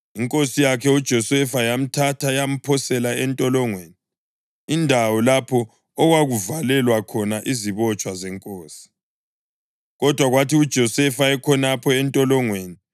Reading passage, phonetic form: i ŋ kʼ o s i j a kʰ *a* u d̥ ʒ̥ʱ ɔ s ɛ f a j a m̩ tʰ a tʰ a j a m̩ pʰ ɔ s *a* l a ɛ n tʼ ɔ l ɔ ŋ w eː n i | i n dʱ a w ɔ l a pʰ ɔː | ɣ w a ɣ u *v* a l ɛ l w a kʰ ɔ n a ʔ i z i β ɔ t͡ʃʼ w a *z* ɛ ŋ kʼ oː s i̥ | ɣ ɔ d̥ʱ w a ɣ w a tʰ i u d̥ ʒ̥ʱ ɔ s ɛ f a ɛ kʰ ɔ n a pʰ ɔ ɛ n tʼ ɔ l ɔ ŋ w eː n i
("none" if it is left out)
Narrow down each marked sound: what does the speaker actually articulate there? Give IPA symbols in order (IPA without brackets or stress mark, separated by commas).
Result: ɛ, ɛ, v, z